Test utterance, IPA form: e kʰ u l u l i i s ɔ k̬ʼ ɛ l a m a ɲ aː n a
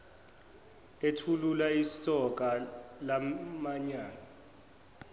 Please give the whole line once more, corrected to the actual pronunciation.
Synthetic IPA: e tʰ u l u l a i s ɔ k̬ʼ a l a m a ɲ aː n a